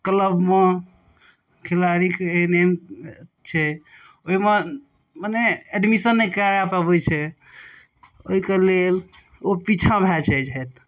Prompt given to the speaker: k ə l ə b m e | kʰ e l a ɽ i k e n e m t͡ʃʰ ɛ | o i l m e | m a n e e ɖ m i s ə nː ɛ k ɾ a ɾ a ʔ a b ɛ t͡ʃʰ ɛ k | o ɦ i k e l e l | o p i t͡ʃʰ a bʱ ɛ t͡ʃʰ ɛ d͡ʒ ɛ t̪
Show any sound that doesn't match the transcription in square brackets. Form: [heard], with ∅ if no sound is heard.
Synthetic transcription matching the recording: k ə l ə b m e | kʰ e l a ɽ i k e n e m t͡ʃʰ ɛ | o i [∅] m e | m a n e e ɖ m i s ə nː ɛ k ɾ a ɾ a [p] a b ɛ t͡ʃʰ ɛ [∅] | o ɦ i k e l e l | o p i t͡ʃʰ a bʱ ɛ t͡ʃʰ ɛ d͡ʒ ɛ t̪